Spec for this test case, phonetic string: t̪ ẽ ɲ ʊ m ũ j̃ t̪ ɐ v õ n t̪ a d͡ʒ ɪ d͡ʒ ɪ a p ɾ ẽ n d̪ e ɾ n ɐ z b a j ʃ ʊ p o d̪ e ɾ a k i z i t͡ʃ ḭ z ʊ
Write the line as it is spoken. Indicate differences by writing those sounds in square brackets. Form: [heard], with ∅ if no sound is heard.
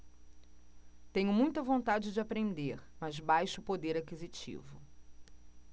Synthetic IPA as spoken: t̪ ẽ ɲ ʊ m ũ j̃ t̪ ɐ v õ n t̪ a d͡ʒ ɪ d͡ʒ ɪ a p ɾ ẽ n d̪ e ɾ [m] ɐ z b a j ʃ ʊ p o d̪ e ɾ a k i z i t͡ʃ ḭ [v] ʊ